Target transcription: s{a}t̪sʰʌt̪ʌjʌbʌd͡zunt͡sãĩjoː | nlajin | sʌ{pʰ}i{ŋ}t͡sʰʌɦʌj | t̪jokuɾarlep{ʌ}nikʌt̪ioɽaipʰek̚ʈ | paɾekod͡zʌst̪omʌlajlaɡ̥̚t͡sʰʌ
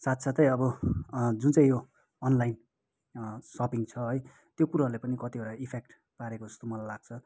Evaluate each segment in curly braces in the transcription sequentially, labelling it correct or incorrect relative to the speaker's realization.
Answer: correct, incorrect, correct, correct

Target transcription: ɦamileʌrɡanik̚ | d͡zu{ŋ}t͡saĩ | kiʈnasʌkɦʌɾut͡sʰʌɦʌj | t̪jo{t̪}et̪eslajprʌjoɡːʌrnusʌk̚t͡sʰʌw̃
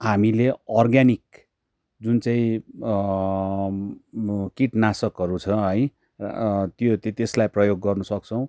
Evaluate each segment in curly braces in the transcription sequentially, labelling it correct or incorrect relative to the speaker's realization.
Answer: incorrect, correct

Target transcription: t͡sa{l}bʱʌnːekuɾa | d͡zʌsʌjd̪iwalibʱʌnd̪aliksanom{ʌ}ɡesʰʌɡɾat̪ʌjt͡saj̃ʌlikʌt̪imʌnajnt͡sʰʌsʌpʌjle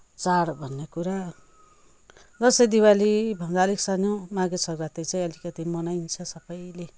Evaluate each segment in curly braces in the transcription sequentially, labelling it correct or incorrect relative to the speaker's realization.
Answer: incorrect, incorrect

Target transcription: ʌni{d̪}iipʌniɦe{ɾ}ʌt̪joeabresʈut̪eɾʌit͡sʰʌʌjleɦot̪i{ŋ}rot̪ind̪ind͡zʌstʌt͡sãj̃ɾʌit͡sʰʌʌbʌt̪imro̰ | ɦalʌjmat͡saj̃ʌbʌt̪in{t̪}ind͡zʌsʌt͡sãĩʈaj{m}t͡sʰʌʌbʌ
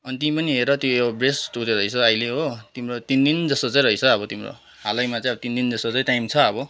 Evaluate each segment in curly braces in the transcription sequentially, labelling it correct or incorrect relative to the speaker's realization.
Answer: incorrect, correct, incorrect, incorrect, correct

